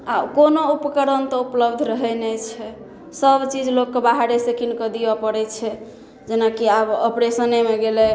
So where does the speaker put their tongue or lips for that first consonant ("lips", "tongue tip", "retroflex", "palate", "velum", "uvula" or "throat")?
velum